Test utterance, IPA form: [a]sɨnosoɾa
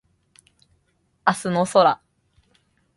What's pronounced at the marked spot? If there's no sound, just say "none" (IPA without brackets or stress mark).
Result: a